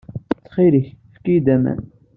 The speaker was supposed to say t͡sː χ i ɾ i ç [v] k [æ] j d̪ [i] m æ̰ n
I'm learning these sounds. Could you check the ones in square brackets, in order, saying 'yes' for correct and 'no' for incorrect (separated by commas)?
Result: no, no, no